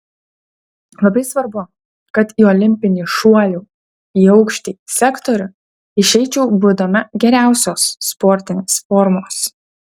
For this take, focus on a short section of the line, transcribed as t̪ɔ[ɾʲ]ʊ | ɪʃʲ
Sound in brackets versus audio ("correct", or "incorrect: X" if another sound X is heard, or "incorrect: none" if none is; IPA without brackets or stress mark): correct